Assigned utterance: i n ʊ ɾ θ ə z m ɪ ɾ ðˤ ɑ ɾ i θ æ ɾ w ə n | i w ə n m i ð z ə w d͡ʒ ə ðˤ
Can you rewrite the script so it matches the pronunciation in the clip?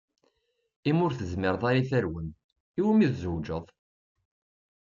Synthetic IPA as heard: i m ʊ ɾ θ ə z m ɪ ɾ ðˤ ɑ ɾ i θ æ ɾ w ə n | i w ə m i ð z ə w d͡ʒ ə ðˤ